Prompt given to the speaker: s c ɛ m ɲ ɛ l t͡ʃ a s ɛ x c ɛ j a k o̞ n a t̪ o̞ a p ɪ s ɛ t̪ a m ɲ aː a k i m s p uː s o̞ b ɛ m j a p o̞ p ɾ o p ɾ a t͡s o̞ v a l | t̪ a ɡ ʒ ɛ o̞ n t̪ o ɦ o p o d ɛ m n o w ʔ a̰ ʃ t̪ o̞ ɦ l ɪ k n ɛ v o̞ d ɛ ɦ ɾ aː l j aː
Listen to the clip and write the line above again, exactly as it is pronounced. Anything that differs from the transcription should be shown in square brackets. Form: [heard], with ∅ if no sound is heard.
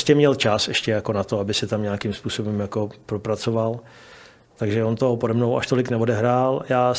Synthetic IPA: s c ɛ m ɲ ɛ l t͡ʃ a s ɛ [ʃ] c ɛ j a k o̞ n a t̪ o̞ a [b] ɪ s ɛ t̪ a m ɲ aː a k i m s p uː s o̞ b ɛ m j a [k] o̞ p ɾ o p ɾ a t͡s o̞ v a l | t̪ a ɡ ʒ ɛ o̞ n t̪ o ɦ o p o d ɛ m n o w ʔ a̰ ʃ t̪ o̞ [∅] l ɪ k n ɛ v o̞ d ɛ ɦ ɾ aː l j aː